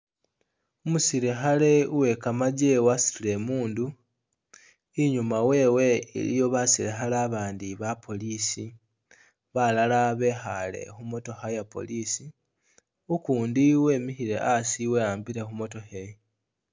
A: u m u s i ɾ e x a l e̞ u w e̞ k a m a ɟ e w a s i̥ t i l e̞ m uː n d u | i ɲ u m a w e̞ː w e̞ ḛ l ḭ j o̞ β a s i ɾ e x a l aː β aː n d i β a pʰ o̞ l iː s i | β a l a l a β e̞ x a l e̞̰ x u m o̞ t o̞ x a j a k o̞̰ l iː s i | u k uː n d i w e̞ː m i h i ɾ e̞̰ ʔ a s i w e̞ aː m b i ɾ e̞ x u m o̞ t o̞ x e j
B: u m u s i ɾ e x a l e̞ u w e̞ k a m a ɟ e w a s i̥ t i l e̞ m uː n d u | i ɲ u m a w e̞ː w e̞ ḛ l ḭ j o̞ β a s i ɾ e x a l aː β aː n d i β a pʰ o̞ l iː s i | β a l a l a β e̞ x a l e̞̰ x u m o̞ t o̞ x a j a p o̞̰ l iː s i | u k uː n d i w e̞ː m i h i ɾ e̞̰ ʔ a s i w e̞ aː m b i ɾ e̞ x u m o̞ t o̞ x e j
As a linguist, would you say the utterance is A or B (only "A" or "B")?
B